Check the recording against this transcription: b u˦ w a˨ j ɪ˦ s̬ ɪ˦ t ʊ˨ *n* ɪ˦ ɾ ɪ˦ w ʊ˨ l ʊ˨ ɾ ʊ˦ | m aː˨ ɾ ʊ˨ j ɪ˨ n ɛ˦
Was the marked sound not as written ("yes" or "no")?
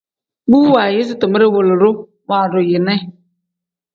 yes